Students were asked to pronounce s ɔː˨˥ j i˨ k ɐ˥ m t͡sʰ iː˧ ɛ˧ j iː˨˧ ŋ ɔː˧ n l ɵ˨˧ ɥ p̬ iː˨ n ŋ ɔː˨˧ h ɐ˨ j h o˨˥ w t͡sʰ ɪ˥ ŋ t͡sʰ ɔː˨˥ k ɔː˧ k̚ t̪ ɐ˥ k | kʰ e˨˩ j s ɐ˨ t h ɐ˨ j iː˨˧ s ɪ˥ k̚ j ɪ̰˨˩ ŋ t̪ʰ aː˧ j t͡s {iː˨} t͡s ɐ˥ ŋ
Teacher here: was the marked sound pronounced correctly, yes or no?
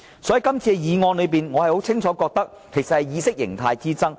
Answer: no